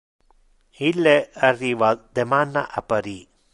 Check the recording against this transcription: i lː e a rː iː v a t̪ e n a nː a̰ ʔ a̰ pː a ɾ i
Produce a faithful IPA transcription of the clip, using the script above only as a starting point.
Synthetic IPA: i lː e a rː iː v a d̪ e m a nː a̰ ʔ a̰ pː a ɾ i